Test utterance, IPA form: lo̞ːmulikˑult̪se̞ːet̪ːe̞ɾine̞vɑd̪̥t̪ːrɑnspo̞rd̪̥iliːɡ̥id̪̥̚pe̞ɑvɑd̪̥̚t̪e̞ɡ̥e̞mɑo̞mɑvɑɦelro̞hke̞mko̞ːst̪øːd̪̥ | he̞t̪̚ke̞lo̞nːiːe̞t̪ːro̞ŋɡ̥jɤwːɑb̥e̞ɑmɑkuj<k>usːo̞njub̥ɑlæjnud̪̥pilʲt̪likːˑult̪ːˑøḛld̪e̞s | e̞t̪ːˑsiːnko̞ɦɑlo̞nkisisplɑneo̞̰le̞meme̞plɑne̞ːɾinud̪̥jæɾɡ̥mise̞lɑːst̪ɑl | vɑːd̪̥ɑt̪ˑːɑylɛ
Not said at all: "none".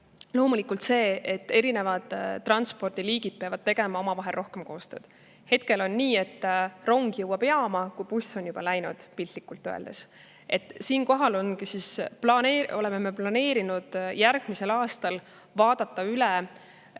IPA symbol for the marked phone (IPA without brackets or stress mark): p